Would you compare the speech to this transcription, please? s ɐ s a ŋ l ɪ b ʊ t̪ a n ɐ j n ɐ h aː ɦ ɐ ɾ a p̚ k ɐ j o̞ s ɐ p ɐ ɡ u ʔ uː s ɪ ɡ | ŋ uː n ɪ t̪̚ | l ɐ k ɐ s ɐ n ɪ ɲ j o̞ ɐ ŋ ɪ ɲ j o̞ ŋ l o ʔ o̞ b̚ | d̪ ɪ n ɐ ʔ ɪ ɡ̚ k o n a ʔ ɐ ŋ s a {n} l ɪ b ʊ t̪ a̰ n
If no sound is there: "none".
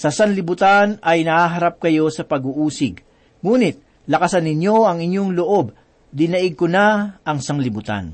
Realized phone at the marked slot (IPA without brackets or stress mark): ŋ